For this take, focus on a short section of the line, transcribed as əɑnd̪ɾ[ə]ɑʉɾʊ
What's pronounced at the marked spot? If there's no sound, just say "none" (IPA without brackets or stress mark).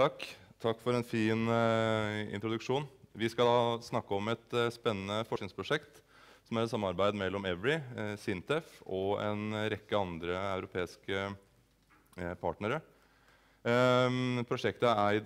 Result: ə